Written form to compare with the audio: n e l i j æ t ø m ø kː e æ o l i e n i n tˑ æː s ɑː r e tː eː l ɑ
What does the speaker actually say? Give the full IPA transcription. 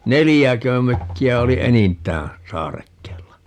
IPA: n e l i j æ k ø m ø kː i æ o l i e n i n tˑ æː s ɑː r e kː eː lː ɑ